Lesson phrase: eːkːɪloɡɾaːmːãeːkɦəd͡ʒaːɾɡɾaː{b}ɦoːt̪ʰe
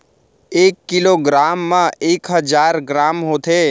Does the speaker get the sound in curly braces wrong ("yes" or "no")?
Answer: yes